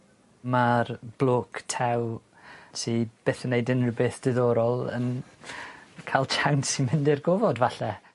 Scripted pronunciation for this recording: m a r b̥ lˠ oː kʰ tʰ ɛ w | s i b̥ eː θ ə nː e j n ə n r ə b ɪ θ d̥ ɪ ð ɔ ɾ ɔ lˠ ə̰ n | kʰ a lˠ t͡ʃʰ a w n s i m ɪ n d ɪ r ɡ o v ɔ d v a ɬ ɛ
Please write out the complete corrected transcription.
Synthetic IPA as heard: m a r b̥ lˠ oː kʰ tʰ ɛ w | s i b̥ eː θ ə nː e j d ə n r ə b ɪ θ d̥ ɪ ð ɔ ɾ ɔ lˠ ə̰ n | kʰ a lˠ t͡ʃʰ a w n s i m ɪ n d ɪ r ɡ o v ɔ d v a ɬ ɛ

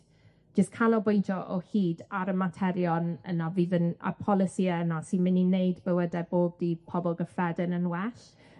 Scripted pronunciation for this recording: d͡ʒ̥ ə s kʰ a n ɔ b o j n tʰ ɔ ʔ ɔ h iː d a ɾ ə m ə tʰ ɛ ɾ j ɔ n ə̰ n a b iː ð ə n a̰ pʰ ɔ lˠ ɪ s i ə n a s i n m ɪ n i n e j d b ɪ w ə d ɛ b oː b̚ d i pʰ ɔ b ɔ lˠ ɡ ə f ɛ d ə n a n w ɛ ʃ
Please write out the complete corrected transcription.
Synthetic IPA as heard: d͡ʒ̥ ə s kʰ a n ɔ b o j n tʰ ɔ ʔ ɔ h iː d a ɾ ə m a tʰ ɛ ɾ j ɔ n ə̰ n a v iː ð ə n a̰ pʰ ɔ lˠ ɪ s i ə n a s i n m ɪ n i n e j d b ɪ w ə d ɛ b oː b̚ d i pʰ ɔ b ɔ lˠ ɡ ə f ɛ d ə n ə n w ɛ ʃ

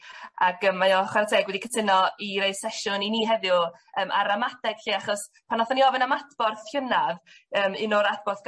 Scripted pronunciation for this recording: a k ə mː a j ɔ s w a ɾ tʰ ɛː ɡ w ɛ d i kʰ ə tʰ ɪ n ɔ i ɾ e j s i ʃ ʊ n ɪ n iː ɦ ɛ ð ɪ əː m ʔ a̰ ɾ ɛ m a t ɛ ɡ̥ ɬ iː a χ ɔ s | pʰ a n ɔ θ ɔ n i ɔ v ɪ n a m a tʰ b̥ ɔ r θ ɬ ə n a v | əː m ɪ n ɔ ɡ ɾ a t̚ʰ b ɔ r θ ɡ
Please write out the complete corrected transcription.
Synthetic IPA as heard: a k ə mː a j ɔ χ w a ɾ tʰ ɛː ɡ w ɛ d i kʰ ə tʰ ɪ n ɔ i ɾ e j s ɛ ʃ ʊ n i n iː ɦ ɛ ð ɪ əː m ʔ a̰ ɾ a m a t ɛ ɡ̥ ɬ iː a χ ɔ s | pʰ a n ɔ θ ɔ n i ɔ v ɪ n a m a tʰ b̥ ɔ r θ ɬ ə n a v | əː m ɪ n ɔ ɾ a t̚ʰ b ɔ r θ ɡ

